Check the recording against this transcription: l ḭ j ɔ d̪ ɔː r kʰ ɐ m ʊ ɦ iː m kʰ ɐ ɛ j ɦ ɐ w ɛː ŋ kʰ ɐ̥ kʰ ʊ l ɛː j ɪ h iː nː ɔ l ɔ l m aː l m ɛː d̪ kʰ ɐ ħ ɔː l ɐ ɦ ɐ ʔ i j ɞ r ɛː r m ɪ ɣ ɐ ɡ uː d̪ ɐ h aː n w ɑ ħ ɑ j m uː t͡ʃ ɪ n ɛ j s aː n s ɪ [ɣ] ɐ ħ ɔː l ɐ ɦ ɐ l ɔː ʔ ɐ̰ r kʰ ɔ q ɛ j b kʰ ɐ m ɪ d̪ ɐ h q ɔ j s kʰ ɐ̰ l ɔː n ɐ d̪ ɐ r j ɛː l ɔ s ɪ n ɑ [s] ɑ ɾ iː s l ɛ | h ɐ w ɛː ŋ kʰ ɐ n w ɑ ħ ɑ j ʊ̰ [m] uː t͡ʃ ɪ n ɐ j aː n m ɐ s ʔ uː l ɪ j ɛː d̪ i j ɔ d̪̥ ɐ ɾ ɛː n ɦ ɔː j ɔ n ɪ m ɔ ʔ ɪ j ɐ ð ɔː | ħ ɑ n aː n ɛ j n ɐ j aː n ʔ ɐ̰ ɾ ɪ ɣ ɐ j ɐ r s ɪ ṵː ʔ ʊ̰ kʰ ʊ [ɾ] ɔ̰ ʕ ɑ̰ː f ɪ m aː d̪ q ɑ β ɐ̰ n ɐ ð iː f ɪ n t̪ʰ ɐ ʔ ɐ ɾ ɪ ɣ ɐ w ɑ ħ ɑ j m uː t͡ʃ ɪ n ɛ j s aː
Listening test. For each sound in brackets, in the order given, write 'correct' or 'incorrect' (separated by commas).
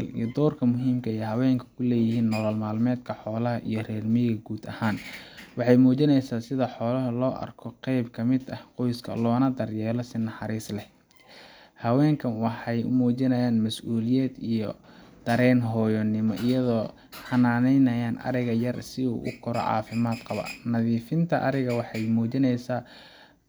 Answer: incorrect, incorrect, correct, correct